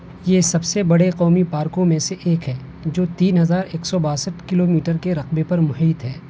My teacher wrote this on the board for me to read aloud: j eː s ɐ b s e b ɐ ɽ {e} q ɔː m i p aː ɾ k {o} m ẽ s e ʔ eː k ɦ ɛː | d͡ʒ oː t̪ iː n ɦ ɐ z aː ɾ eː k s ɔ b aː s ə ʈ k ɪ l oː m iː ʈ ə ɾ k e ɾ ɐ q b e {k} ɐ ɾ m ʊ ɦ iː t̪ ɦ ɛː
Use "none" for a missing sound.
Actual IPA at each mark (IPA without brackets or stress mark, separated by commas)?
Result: e, õ, p